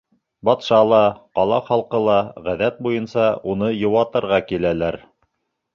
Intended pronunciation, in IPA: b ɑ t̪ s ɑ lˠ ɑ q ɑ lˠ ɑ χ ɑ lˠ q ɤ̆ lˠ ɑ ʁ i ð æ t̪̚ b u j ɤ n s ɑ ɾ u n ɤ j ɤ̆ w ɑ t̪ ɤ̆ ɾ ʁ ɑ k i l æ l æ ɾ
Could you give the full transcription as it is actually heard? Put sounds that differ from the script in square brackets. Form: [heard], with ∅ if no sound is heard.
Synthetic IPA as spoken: b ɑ t̪ [ʃ] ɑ lˠ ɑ q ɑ lˠ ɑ χ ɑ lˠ q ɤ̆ lˠ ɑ ʁ [æ] ð æ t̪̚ b u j ɤ n s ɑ [∅] u n ɤ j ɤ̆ w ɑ t̪ ɤ̆ ɾ ʁ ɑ k i l æ l æ ɾ